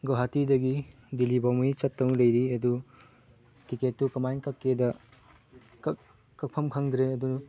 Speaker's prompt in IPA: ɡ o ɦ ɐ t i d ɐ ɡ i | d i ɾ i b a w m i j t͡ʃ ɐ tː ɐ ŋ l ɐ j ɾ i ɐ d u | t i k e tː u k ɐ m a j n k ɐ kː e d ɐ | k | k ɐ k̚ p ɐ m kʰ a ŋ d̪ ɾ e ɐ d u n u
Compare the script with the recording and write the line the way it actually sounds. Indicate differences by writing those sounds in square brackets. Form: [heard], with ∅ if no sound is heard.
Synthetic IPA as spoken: ɡ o ɦ [a] t i d ɐ ɡ i | d i [l] i b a w m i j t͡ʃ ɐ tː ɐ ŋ l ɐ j ɾ i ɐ d u | t i k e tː u k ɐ m a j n k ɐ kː e d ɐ | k | k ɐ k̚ [pʰ] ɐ m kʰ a ŋ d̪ ɾ e ɐ d u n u

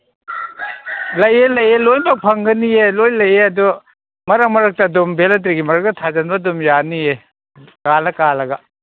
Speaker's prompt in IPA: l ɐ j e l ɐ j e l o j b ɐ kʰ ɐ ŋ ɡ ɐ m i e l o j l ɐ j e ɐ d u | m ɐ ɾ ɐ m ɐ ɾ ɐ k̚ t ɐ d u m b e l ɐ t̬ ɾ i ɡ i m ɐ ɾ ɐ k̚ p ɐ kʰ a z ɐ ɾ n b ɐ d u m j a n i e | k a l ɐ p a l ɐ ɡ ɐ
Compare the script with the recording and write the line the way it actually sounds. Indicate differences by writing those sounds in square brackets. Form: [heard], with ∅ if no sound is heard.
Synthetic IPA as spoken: l ɐ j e l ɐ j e l o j b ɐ [pʰ] ɐ ŋ ɡ ɐ [n] i e l o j l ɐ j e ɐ d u | m ɐ ɾ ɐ m ɐ ɾ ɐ k̚ t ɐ d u m b e l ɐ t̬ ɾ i ɡ i m ɐ ɾ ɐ k̚ [t] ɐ [tʰ] a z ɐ [∅] n b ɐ d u m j a n i e | k a l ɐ [k] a l ɐ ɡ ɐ

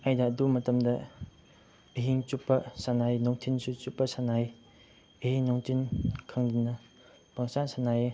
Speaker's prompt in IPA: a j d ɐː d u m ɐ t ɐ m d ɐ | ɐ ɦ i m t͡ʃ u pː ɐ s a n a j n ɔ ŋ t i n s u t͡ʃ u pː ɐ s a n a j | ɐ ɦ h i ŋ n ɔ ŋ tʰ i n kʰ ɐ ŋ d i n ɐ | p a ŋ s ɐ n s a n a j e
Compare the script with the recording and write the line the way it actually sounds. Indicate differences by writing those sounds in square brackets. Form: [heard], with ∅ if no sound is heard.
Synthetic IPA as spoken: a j d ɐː d u m ɐ t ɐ m d ɐ | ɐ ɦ i [ŋ] t͡ʃ u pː ɐ s a n a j n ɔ ŋ [tʰ] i n s u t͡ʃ u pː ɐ s a n a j | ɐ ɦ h i ŋ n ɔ ŋ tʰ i n kʰ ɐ ŋ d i n ɐ | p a ŋ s [a] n s a n a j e

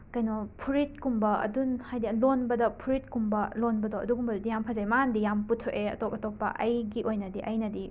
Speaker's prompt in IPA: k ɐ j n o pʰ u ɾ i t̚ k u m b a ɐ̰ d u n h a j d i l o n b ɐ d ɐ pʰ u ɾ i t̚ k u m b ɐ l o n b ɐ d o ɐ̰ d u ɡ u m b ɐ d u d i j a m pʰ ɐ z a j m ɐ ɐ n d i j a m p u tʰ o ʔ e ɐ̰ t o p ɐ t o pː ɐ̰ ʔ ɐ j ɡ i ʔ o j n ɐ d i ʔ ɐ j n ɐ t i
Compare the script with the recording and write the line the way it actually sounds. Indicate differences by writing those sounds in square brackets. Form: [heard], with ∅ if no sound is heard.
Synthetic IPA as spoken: k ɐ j n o pʰ u ɾ i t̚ k u m b [ɐ] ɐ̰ d u n h a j d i l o n b ɐ d ɐ pʰ u ɾ i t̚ k u m b ɐ l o n b ɐ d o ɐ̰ d u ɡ u m b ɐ d u d i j a m pʰ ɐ z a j m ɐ [a] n d i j a m p u tʰ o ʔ e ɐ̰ t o p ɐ t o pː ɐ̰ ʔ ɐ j ɡ i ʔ o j n ɐ d i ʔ ɐ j n ɐ [d] i

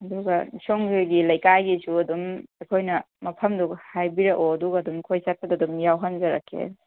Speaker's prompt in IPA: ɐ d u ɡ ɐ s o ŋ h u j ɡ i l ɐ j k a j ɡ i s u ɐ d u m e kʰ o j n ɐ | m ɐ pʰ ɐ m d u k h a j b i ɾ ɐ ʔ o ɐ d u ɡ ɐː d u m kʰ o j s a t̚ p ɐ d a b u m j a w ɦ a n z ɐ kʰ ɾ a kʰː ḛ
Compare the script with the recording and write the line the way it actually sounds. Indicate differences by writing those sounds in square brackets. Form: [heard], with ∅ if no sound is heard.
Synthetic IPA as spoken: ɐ d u ɡ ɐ s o ŋ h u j ɡ i l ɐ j k a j ɡ i s u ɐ d u m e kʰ o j n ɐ | m ɐ pʰ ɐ m d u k h a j b i ɾ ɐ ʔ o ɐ d u ɡ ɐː d u m kʰ o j s a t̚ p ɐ d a [d] u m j a w ɦ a n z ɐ [∅] ɾ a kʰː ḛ

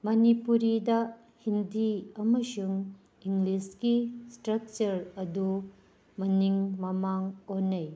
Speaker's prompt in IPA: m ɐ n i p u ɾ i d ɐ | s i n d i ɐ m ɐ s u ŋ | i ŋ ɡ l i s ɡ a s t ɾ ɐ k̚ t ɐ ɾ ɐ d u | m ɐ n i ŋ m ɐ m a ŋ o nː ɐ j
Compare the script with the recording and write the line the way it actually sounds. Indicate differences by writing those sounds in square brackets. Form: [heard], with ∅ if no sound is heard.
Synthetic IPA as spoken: m ɐ n i p u ɾ i d ɐ | [h] i n d i ɐ m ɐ s u ŋ | i ŋ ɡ l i s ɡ [i] s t ɾ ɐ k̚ [t͡ʃ] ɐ ɾ ɐ d u | m ɐ n i ŋ m ɐ m a ŋ o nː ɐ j

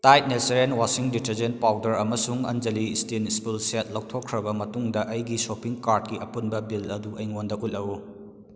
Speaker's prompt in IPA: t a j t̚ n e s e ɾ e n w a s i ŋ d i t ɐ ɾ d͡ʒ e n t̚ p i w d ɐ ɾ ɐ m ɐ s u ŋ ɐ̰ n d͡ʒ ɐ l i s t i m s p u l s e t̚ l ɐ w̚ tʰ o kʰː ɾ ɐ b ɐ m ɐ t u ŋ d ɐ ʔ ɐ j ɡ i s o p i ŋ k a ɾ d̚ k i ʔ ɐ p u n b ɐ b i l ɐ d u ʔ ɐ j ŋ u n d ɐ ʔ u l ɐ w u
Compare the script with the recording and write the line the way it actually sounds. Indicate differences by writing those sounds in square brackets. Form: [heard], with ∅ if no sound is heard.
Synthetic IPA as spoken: t a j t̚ n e s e ɾ e n w a s i ŋ d i t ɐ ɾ d͡ʒ e n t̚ p [a] w d ɐ ɾ ɐ m ɐ s u ŋ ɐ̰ n d͡ʒ ɐ l i s t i [n] s p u l s e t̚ l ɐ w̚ tʰ o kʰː ɾ ɐ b ɐ m ɐ t u ŋ d ɐ ʔ ɐ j ɡ i s o p i ŋ k a ɾ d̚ k i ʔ ɐ p u n b ɐ b i l ɐ d u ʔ ɐ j ŋ [o] n d ɐ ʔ u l ɐ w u

